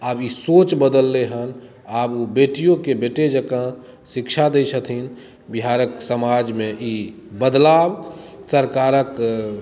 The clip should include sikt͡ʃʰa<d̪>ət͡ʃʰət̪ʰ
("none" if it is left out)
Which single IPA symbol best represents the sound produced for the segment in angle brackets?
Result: d̪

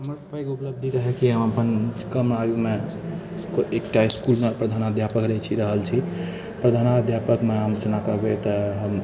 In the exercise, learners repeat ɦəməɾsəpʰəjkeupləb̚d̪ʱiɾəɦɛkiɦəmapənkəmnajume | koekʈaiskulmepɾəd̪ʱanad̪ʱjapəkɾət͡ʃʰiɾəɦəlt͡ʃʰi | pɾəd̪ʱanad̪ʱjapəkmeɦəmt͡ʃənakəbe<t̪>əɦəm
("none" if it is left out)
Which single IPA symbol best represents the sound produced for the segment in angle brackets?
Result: t̪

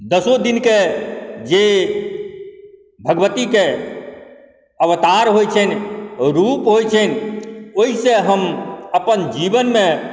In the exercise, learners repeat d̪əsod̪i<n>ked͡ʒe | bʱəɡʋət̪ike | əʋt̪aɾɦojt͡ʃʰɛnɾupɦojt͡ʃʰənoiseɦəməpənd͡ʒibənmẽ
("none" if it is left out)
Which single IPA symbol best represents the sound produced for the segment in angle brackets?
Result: n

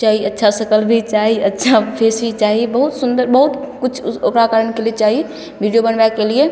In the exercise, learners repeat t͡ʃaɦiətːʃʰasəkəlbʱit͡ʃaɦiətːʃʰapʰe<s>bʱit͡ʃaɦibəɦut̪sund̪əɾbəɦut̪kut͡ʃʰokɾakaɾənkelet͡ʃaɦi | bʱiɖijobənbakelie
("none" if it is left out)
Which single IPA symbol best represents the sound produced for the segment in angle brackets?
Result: s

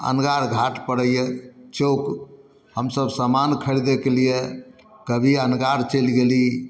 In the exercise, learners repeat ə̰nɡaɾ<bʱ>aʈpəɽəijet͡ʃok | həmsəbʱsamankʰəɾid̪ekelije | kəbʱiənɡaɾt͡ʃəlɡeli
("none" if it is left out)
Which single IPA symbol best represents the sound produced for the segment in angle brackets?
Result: ɡʱ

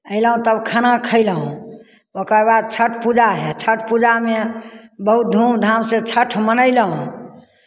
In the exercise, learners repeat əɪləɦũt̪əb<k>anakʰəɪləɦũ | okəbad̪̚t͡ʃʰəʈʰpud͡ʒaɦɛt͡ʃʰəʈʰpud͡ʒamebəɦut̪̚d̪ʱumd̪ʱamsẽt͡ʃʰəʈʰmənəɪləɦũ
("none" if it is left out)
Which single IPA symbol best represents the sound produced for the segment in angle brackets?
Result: kʰ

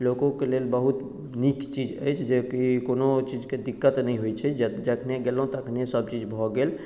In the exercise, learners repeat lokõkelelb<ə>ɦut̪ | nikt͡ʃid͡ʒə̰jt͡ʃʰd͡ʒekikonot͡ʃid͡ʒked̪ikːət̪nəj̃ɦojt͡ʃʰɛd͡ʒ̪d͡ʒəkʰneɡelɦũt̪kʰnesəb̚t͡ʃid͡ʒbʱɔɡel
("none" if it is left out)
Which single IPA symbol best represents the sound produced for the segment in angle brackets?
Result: ə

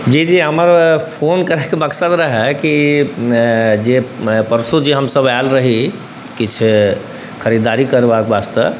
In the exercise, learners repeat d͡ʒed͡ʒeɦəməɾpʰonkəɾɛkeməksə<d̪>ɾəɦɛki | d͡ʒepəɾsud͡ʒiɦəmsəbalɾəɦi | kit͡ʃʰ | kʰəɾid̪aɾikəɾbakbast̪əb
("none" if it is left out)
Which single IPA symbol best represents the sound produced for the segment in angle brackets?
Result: d̪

